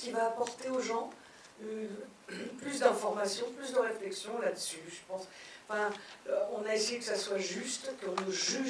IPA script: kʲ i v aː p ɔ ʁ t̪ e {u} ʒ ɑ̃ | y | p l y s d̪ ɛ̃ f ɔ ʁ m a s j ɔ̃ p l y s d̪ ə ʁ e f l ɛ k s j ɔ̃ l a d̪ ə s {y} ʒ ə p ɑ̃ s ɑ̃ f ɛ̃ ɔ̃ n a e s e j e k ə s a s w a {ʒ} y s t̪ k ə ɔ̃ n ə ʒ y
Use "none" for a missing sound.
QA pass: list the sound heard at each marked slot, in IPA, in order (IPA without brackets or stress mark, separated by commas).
o, y, ʒ